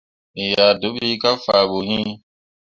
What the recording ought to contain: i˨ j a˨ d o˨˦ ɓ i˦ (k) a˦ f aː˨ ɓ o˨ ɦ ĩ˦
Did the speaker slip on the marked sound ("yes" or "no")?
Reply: no